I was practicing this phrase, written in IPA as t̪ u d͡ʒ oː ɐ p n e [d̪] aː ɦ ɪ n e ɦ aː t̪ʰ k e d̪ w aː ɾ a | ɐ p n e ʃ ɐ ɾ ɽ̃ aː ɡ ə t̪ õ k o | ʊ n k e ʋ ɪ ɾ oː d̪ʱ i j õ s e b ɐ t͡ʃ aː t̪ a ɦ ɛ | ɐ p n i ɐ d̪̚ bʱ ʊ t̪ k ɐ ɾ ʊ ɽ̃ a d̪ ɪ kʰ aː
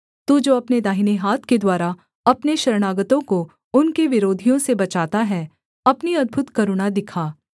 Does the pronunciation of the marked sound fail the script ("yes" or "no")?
no